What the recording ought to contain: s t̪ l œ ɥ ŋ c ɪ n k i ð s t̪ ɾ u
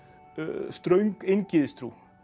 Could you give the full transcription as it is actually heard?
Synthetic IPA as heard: s t̪ ɾ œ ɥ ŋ k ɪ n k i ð s t̪ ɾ u